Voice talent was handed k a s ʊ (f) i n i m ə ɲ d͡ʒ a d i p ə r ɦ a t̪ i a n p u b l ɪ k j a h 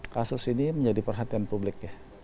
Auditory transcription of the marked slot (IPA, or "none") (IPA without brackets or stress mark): s